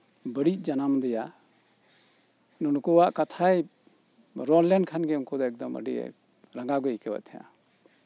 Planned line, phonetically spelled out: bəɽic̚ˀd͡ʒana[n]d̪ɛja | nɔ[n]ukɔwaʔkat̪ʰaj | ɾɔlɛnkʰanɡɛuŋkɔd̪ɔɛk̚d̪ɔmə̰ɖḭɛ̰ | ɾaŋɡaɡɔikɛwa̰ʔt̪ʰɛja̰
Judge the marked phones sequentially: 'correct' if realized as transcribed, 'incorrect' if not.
incorrect: m, correct

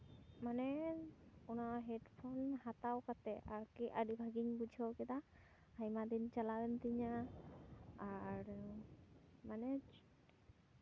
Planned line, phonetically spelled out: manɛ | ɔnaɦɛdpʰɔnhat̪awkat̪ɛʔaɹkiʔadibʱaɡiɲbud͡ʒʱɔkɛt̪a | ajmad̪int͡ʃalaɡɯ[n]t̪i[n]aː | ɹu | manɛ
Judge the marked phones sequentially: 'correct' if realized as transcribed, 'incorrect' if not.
correct, incorrect: ɲ

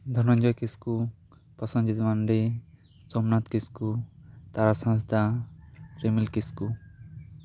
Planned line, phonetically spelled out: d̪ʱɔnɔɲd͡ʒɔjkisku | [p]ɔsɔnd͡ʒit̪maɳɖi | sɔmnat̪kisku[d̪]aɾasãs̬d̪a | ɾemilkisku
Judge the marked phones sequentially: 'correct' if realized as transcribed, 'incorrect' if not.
correct, incorrect: t̪

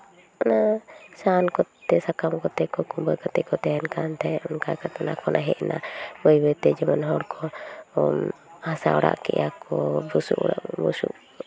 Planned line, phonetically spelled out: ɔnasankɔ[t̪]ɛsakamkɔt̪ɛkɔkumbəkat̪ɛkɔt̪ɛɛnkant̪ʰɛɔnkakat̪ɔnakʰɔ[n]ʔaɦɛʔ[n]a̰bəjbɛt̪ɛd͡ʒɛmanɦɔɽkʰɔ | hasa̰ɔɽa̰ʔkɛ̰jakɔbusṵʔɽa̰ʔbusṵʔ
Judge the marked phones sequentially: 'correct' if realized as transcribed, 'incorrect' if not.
correct, correct, correct

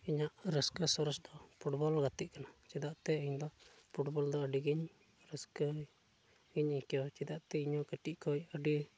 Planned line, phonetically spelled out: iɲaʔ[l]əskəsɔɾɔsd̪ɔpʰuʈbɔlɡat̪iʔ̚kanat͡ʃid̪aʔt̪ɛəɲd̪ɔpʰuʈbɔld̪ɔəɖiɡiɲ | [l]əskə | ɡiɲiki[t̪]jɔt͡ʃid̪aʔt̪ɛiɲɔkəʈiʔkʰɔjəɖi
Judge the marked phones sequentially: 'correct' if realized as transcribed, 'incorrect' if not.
incorrect: ɾ, incorrect: ɾ, incorrect: none

